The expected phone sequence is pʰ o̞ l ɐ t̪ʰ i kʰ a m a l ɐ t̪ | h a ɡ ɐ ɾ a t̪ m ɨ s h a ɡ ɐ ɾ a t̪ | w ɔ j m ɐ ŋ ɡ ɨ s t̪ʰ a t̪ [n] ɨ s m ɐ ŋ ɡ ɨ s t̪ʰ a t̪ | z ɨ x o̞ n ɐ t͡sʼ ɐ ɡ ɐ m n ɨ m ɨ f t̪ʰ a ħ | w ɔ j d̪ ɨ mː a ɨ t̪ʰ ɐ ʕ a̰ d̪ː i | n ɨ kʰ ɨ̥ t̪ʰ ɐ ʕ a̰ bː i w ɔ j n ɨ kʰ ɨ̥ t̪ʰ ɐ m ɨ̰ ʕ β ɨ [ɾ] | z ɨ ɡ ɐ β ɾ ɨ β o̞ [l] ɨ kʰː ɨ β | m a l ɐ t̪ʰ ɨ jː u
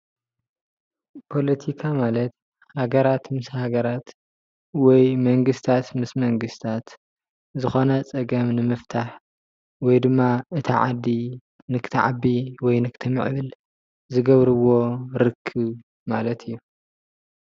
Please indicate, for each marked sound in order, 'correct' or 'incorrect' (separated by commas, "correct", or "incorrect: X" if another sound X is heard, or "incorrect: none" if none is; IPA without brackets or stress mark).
incorrect: m, incorrect: l, incorrect: ɾ